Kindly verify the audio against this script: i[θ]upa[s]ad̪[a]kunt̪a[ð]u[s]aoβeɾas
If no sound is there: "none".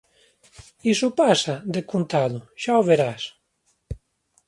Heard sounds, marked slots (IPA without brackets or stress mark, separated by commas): s, s, e, ð, ʃ